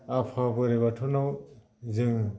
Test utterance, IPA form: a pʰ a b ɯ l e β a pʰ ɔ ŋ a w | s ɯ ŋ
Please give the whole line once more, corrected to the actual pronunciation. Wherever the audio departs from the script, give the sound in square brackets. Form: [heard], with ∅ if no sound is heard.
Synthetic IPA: a pʰ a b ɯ [ɾ] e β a [tʰ] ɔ [n] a w | [z] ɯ ŋ